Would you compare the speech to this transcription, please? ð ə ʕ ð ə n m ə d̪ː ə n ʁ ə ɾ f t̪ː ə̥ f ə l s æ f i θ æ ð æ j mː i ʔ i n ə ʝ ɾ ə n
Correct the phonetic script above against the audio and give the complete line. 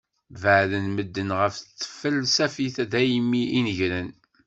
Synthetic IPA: v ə ʕ ð ə n m ə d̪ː ə n ʁ ə f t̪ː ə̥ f ə l s æ f i θ æ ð æ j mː i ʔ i n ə ʝ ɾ ə n